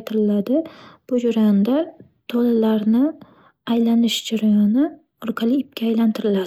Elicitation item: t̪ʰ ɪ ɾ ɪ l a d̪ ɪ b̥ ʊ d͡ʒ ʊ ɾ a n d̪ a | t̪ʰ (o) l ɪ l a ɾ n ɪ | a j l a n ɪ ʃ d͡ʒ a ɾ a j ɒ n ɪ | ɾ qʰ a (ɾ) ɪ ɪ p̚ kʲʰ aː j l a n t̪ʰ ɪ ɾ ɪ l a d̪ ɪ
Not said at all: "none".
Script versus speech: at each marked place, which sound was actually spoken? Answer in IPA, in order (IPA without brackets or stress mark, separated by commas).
o, l